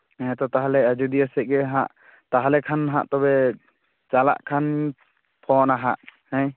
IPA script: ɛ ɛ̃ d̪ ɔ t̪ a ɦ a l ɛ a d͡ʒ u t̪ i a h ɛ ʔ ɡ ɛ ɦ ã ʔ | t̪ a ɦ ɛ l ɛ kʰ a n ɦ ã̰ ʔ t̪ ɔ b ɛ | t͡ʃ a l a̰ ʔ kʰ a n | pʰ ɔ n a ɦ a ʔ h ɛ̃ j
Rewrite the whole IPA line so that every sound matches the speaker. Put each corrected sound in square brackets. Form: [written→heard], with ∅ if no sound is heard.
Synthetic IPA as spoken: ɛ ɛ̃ [d̪→t̪] ɔ t̪ a ɦ a l ɛ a d͡ʒ u [t̪→d̪] i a [h→s] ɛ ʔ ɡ ɛ ɦ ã ʔ | t̪ a ɦ [ɛ→a] l ɛ kʰ a n ɦ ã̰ ʔ t̪ ɔ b ɛ | t͡ʃ a l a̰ ʔ kʰ a n | pʰ ɔ n a ɦ a ʔ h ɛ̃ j

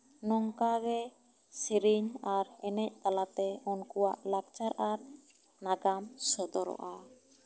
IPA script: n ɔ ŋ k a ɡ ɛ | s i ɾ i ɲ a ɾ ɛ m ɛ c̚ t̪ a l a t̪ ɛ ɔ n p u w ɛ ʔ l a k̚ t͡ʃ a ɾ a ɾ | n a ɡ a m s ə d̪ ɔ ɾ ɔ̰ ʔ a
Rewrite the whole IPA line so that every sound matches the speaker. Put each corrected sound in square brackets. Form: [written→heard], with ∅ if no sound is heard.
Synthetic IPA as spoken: n ɔ ŋ k a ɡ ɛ | s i ɾ i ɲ a ɾ ɛ [m→n] ɛ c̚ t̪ a l a t̪ ɛ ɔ n [p→k] u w [ɛ→a] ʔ l a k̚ t͡ʃ a ɾ a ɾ | n a ɡ a m s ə d̪ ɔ ɾ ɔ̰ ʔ a

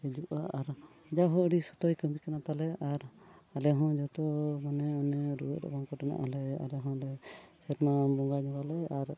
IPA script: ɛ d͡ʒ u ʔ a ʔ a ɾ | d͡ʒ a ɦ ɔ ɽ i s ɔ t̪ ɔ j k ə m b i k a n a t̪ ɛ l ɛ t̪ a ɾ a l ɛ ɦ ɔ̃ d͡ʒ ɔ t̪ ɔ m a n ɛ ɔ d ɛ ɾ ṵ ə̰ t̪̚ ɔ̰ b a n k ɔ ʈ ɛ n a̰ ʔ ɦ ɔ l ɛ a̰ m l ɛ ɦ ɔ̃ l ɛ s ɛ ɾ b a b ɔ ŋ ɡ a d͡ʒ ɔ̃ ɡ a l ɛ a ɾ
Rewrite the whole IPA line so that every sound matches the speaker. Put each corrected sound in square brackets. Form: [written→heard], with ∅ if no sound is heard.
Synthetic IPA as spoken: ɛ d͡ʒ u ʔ a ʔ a ɾ | d͡ʒ a ɦ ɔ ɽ i s ɔ t̪ ɔ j k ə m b i k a n a t̪ [ɛ→a] l ɛ [t̪→∅] a ɾ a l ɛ ɦ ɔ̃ d͡ʒ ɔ t̪ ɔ m a n ɛ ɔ [d→n] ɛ ɾ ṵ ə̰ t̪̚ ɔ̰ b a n k ɔ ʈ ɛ n a̰ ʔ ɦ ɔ l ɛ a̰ [m→∅] l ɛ ɦ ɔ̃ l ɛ s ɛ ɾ [b→m] a b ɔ ŋ ɡ a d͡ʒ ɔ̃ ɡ a l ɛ a ɾ

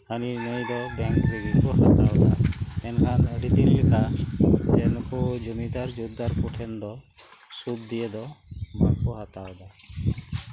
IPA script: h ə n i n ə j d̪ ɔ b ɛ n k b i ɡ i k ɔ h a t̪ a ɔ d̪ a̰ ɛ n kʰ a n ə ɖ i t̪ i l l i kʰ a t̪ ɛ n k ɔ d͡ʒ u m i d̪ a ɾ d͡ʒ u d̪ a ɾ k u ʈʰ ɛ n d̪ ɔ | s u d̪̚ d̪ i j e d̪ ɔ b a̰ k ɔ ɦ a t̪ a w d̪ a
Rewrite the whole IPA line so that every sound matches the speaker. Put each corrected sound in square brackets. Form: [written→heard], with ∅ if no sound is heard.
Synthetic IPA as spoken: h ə n i n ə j d̪ ɔ b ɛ [n→ŋ] k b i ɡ i k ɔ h a t̪ a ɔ d̪ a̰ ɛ n kʰ a n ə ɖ i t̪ i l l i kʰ a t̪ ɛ n k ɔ d͡ʒ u m i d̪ a ɾ d͡ʒ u d̪ a ɾ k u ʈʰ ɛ n d̪ ɔ | s u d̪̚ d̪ i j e d̪ ɔ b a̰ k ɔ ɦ a t̪ a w d̪ a

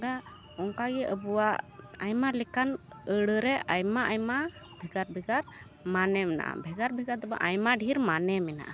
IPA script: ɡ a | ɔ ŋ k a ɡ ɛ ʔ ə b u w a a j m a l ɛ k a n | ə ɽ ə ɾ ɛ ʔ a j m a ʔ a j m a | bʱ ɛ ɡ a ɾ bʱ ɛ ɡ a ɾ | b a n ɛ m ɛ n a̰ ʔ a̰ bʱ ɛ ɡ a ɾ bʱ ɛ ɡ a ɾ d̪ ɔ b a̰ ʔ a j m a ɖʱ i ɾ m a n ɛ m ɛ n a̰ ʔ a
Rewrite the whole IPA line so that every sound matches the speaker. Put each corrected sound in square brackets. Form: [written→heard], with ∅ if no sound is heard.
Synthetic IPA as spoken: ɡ a | ɔ ŋ k a ɡ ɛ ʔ ə b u w a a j m a l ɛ k a n | ə ɽ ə ɾ ɛ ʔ a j m a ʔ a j m a | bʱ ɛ ɡ a ɾ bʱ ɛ ɡ a ɾ | [b→m] a n ɛ m ɛ n a̰ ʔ a̰ bʱ ɛ ɡ a ɾ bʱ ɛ ɡ a ɾ d̪ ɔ b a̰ ʔ a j m a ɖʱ i ɾ m a n ɛ m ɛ n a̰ ʔ a

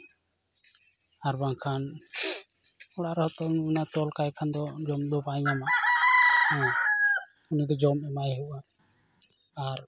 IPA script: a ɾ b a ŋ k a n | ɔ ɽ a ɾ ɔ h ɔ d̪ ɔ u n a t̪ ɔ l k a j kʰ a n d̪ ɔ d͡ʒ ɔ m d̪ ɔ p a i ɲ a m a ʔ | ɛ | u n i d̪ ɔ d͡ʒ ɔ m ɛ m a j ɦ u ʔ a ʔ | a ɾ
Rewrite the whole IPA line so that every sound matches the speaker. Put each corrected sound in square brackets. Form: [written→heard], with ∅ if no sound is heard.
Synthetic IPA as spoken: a ɾ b a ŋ [k→kʰ] a n | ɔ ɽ a ɾ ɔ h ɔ [d̪→t̪] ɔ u n a t̪ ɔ l k a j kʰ a n d̪ ɔ d͡ʒ ɔ m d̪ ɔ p a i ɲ a m a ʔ | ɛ | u n i d̪ ɔ d͡ʒ ɔ m ɛ m a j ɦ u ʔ a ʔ | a ɾ

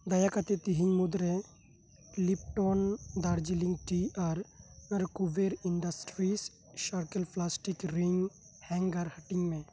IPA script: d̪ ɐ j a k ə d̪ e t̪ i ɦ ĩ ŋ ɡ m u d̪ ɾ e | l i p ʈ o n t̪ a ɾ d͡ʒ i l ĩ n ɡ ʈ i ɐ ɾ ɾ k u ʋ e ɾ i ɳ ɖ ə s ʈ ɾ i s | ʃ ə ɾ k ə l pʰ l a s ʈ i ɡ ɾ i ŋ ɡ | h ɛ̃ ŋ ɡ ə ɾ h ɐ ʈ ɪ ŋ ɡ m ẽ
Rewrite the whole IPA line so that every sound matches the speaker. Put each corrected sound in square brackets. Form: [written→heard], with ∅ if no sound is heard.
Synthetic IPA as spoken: d̪ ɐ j a k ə [d̪→t̪] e t̪ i ɦ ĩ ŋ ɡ m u d̪ ɾ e | l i p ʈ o n [t̪→d̪] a ɾ d͡ʒ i l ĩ [n→ŋ] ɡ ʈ i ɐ ɾ ɾ k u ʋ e ɾ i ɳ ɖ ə s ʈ ɾ i s | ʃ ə ɾ k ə l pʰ l a s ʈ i [ɡ→k] ɾ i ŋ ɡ | h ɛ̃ ŋ ɡ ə ɾ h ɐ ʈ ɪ ŋ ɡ m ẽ

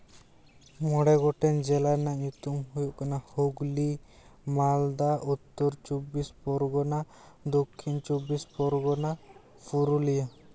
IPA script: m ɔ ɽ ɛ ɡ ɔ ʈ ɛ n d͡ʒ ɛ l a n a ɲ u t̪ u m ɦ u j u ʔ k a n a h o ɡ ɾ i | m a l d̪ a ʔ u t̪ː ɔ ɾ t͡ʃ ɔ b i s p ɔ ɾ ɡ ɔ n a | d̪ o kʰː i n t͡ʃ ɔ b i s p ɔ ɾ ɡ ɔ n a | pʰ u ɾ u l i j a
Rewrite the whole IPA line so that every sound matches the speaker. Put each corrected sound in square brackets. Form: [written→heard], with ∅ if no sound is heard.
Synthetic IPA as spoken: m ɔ ɽ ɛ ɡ ɔ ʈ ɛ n d͡ʒ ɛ l a n a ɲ u t̪ u m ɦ u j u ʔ k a n a h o ɡ [ɾ→l] i | m a l d̪ a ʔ u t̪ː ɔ ɾ t͡ʃ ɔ b i s p ɔ ɾ ɡ ɔ n a | d̪ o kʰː i n t͡ʃ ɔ b i s p ɔ ɾ ɡ ɔ n a | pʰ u ɾ u l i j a

